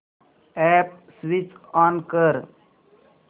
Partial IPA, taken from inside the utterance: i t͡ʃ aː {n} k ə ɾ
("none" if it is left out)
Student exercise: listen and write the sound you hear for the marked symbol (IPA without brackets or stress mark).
n